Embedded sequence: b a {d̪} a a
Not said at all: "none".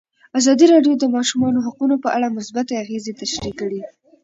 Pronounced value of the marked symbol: t̪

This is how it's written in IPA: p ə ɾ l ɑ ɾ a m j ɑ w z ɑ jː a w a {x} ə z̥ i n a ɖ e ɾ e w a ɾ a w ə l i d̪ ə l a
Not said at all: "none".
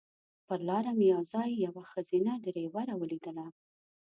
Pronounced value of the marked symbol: x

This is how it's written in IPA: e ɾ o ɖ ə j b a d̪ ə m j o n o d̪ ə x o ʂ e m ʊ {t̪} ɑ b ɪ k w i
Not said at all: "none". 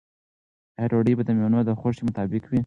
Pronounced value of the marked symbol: t̪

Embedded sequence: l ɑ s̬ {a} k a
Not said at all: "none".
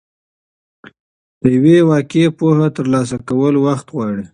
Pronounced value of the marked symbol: a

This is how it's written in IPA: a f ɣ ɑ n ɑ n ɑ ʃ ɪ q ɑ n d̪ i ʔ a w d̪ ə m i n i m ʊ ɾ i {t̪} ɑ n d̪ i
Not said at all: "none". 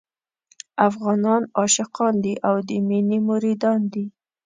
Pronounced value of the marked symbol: d̪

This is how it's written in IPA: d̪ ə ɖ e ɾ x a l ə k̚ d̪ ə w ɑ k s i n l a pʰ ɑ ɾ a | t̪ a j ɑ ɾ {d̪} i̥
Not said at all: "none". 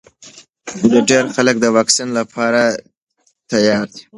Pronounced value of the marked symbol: d̪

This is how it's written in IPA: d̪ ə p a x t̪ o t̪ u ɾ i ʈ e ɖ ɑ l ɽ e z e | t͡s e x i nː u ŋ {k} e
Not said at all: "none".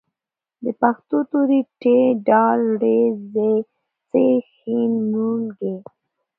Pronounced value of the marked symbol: ɡ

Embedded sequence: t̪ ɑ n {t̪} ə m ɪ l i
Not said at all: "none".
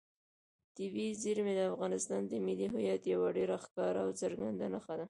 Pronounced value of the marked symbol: d̪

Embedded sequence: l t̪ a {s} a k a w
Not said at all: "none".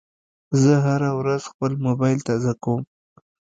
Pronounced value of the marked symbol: z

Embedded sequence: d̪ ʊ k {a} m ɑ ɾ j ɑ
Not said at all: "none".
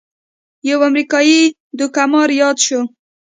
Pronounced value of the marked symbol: a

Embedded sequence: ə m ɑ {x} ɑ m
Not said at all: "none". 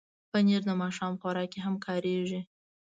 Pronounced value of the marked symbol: ʃ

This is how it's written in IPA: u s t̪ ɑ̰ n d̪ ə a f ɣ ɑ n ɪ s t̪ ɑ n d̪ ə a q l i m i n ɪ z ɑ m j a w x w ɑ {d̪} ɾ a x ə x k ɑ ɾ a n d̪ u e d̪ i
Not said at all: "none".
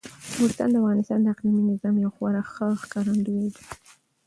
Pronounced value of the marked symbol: none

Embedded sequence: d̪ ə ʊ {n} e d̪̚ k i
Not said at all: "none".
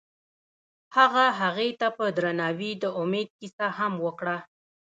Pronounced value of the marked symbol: m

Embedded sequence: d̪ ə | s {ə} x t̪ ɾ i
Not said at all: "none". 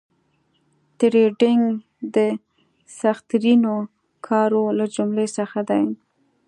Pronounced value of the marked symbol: a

